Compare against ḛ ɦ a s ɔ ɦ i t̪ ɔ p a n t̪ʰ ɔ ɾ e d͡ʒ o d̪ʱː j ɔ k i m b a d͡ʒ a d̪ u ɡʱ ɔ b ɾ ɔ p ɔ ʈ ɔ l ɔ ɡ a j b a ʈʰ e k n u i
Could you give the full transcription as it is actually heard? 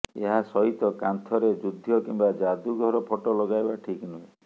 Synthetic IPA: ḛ ɦ a s ɔ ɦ i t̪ ɔ k a n t̪ʰ ɔ ɾ e d͡ʒ u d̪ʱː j ɔ k i m b a d͡ʒ a d̪ u ɡʱ ɔ ɾ ɔ pʰ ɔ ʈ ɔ l ɔ ɡ a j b a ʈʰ i k n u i